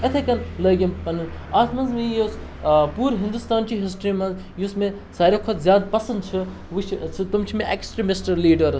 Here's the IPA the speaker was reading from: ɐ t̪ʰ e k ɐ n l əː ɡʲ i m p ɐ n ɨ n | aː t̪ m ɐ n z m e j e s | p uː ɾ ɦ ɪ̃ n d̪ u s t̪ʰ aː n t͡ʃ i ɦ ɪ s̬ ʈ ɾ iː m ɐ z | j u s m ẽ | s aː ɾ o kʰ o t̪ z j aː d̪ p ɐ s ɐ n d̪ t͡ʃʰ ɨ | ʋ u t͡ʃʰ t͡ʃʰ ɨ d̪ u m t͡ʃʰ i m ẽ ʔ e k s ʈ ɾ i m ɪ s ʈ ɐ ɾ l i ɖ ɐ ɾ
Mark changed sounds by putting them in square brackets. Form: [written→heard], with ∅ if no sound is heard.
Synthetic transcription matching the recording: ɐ t̪ʰ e k ɐ n l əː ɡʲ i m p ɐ n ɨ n | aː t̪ m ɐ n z m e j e s | p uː ɾ ɦ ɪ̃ n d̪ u s [t̪ʰ→t̪] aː n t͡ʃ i ɦ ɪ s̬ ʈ ɾ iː m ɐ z | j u s m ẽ | s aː ɾ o kʰ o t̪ z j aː d̪ p ɐ s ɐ n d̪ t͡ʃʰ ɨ | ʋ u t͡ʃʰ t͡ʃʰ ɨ [d̪→t̪] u m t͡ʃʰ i m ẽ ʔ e k s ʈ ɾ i m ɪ s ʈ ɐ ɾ l [i→iː] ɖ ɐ ɾ